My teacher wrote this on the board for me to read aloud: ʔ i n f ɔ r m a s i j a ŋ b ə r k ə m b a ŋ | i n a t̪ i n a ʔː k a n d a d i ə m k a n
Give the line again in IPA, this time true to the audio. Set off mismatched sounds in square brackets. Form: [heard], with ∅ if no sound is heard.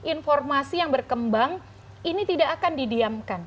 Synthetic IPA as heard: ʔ i n f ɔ r m a s i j a ŋ b ə r k ə m b a ŋ | i n [i] t̪ i [d] a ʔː k a n d [i] d i [a] m k a n

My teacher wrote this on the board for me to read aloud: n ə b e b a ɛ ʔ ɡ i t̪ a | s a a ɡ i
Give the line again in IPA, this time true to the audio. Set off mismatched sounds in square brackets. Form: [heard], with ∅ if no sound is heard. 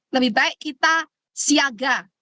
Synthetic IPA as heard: n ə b [i] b a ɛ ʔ [k] i t̪ a | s [i] a ɡ [a]

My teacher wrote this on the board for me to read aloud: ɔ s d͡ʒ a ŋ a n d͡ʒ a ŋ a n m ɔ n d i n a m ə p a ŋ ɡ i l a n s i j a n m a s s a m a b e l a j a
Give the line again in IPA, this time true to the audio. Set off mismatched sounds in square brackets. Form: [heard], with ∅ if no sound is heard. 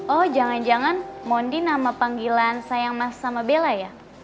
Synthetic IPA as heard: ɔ [h] d͡ʒ a ŋ a n d͡ʒ a ŋ a n m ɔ n d i n a m [a] p a ŋ ɡ i l a n s [a] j a [ŋ] m a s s a m a b e l a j a

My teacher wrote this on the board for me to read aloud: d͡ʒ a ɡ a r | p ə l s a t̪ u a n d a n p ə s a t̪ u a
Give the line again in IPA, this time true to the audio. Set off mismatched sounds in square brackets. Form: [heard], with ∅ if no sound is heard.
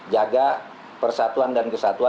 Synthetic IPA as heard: d͡ʒ a ɡ a [∅] | p ə [r] s a t̪ u a n d a n [k] ə s a t̪ u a

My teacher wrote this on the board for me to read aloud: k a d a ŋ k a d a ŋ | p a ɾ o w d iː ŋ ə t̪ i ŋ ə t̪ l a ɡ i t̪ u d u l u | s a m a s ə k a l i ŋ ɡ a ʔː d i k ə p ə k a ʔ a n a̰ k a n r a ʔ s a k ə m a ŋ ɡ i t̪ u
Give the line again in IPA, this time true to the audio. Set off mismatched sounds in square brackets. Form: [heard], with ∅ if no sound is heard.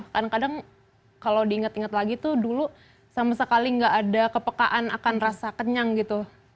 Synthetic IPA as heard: k a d a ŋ k a d a ŋ | [k] a [l] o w d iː ŋ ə t̪ i ŋ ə t̪ l a ɡ i t̪ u d u l u | s a m a s ə k a l i ŋ ɡ a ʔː d [a] k ə p ə k a ʔ a n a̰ k a n r a [∅] s a k ə [ɲ] a ŋ ɡ i t̪ u

